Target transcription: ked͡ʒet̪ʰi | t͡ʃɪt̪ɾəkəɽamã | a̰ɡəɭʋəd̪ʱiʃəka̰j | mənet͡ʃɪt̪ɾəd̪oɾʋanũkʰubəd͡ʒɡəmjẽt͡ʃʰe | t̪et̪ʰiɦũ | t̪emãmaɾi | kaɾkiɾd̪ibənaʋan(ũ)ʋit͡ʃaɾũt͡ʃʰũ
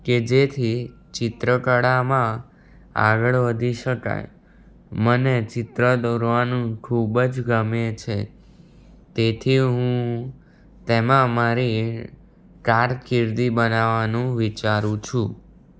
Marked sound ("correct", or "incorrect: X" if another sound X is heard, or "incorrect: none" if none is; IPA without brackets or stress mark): correct